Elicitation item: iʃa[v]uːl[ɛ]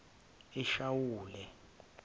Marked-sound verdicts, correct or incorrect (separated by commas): incorrect, correct